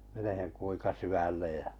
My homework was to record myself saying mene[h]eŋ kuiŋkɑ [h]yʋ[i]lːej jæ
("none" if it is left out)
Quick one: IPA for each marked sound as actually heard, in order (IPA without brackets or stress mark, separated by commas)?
h, s, æ